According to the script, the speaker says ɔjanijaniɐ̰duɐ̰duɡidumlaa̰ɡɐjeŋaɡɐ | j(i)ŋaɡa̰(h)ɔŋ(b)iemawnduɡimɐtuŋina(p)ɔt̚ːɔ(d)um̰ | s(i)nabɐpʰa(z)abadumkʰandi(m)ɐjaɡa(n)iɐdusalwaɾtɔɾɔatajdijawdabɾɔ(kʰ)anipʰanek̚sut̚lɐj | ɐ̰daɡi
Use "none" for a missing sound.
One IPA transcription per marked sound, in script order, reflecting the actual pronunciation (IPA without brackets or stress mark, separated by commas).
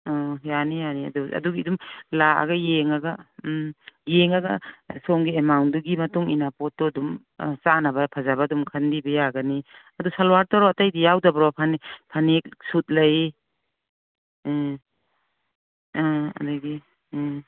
e, s, ɡ, p, d, a, z, b, n, pʰ